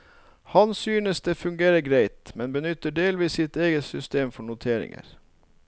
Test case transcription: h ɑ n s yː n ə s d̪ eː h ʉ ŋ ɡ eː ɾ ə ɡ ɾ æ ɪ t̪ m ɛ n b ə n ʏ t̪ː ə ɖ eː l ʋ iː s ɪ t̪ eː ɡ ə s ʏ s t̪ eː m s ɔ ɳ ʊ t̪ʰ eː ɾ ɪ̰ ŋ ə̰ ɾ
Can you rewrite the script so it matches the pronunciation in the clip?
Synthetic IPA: h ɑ n s yː n ə s d̪ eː f ʉ ŋ ɡ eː ɾ ə ɡ ɾ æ ɪ t̪ m ɛ n b ə n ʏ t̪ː ə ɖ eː l ʋ iː s ɪ t̪ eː ɡ ə s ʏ s t̪ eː m f ɔ ɳ ʊ t̪ʰ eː ɾ ɪ̰ ŋ ə̰ ɾ